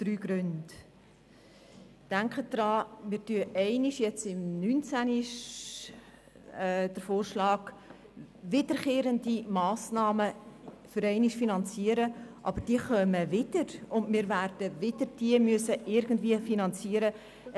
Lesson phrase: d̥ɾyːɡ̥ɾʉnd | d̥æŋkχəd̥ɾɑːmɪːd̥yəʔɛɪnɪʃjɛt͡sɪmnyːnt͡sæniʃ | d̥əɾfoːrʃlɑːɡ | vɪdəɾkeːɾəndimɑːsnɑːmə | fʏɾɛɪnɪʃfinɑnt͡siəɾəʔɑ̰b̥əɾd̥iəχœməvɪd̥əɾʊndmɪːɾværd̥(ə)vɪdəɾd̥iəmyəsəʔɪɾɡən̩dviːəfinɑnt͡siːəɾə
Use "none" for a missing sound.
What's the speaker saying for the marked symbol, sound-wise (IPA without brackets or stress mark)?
ə